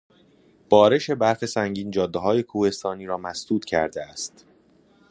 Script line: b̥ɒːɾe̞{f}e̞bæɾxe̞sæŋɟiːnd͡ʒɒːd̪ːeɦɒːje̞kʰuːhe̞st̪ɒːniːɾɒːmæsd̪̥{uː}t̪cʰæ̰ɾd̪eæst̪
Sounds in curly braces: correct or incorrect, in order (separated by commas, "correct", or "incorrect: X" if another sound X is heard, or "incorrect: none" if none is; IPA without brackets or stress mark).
incorrect: ʃ, correct